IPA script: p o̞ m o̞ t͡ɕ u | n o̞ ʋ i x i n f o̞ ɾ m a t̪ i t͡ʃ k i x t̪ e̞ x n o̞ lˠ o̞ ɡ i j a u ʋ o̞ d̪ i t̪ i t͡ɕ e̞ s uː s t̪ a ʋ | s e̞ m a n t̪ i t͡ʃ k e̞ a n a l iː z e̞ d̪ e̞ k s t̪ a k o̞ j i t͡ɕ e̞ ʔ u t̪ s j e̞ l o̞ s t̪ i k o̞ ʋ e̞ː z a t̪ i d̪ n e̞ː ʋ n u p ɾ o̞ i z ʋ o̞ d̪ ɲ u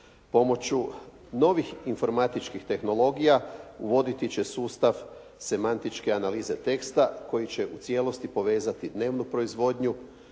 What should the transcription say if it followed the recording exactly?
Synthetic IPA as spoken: p o̞ m o̞ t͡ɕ u | n o̞ ʋ i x i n f o̞ ɾ m a t̪ i t͡ʃ k i x t̪ e̞ x n o̞ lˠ o̞ ɡ i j a u ʋ o̞ d̪ i t̪ i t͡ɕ e̞ s uː s t̪ a ʋ | s e̞ m a n t̪ i t͡ʃ k e̞ a n a l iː z e̞ t̪ e̞ k s t̪ a k o̞ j i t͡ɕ e̞ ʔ u t̪ s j e̞ l o̞ s t̪ i p o̞ ʋ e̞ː z a t̪ i d̪ n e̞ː ʋ n u p ɾ o̞ i z ʋ o̞ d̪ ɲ u